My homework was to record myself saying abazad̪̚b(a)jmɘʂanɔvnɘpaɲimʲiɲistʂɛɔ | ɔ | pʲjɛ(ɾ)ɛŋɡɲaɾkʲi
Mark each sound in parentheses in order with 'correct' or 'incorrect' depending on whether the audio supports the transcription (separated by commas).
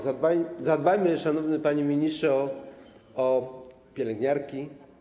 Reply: correct, incorrect